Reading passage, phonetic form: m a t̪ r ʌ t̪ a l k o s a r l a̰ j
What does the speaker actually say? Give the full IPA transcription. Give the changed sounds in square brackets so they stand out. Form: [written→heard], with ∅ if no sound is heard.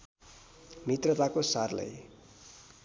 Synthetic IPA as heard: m [a→i] t̪ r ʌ t̪ a [l→∅] k o s a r l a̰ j